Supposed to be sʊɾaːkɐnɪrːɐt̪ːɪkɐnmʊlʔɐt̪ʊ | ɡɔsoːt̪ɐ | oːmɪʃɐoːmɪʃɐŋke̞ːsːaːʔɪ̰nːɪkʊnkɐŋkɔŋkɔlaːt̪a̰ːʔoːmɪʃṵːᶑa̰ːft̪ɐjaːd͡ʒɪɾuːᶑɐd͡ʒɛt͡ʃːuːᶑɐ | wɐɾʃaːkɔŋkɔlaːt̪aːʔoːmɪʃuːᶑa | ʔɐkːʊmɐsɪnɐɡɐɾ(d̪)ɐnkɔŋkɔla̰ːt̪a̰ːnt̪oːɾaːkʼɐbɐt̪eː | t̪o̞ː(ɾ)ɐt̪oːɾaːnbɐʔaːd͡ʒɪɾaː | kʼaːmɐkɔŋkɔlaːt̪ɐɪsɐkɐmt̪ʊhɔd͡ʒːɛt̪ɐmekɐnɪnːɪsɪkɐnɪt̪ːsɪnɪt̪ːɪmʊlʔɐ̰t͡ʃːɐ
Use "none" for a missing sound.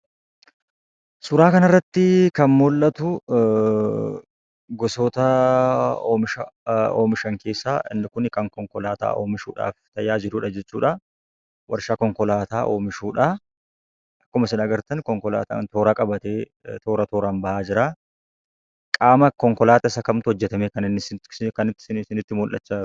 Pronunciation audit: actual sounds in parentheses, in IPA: t̪, ɾ

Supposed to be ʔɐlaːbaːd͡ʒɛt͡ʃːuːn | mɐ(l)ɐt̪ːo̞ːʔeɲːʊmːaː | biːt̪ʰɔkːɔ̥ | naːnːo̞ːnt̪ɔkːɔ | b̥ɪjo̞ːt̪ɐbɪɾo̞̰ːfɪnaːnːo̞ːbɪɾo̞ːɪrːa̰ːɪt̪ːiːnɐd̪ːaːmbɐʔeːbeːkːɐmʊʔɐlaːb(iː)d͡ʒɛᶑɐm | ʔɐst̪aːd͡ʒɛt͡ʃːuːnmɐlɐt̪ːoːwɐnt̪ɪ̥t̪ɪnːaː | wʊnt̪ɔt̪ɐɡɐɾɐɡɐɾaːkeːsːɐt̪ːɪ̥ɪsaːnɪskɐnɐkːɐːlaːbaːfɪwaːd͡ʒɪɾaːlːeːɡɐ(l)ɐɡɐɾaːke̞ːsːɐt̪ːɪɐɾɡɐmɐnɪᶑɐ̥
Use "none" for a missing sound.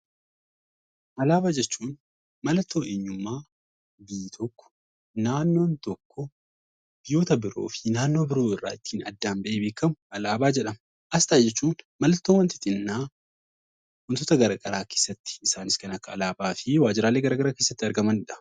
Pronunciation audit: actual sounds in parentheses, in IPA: l, aː, ɾ

